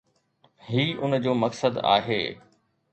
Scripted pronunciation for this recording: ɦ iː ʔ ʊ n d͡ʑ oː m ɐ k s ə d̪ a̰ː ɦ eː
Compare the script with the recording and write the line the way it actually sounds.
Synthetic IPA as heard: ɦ iː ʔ ʊ n d͡ʑ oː m ɐ k s ə d̪ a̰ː ɦ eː